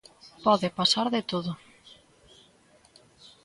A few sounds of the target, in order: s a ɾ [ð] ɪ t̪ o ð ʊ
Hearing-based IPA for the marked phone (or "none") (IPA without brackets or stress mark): ð